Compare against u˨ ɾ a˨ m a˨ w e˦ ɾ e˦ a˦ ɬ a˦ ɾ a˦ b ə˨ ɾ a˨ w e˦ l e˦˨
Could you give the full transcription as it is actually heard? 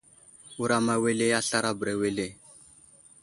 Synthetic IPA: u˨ ɾ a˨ m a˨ w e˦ l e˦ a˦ ɬ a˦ ɾ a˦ b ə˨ ɾ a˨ w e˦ l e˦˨